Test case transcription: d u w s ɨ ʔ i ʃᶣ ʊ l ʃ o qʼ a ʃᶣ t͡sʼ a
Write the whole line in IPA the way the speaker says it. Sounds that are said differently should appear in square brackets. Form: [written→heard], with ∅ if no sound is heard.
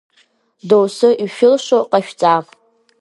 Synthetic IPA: d [u→o] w s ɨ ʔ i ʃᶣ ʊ l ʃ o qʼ a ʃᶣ t͡sʼ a